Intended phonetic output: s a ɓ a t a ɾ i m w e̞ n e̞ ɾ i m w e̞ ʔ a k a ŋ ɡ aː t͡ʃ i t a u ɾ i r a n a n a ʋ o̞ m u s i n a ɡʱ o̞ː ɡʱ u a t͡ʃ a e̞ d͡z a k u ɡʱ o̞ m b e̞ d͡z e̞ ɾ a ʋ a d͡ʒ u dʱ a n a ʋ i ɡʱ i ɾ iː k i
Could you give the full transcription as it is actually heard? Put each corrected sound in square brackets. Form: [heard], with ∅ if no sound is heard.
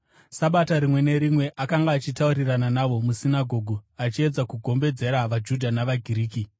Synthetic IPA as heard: s a ɓ a t a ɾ i m w e̞ n e̞ ɾ i m w e̞ ʔ a k a ŋ ɡ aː t͡ʃ i t a u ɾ i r a n a n a ʋ o̞ m u s i n a ɡʱ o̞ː ɡʱ u a t͡ʃ [i] e̞ d͡z a k u ɡʱ o̞ m b e̞ d͡z e̞ ɾ a ʋ a d͡ʒ u dʱ a n a ʋ [a] ɡʱ i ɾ iː k i